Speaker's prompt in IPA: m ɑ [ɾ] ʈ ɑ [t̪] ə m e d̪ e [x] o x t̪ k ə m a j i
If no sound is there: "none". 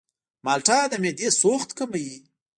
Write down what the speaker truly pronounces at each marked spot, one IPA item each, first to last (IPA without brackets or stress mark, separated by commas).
l, d̪, s